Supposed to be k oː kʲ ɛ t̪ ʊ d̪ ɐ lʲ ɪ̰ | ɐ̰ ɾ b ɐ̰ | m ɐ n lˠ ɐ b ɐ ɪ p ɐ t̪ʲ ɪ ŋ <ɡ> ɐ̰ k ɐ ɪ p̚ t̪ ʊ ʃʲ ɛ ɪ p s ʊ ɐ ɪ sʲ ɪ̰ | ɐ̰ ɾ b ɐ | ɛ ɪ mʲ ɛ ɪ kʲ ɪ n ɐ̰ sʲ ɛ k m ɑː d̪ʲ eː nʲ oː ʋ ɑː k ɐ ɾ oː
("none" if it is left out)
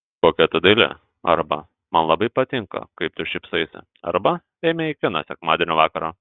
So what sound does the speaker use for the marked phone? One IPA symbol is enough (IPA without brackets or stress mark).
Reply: k